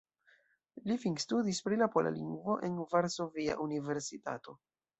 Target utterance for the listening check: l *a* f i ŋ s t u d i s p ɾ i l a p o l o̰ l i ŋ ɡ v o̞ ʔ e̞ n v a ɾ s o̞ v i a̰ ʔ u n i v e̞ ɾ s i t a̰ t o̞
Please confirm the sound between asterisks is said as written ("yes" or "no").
no